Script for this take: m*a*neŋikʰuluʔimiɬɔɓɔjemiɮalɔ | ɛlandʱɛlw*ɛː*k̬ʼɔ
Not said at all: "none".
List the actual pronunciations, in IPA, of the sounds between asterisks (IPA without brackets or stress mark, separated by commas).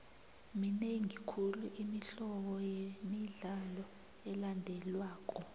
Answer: i, aː